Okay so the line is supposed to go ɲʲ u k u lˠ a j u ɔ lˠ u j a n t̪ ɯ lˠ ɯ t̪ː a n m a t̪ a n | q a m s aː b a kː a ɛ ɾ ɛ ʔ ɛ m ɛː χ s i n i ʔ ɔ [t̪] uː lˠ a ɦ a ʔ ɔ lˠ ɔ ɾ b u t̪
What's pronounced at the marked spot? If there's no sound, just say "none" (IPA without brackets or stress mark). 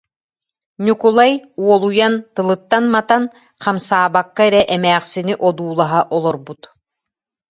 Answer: d̪